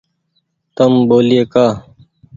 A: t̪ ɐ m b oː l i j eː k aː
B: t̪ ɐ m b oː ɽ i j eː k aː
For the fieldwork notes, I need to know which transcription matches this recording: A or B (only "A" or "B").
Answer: A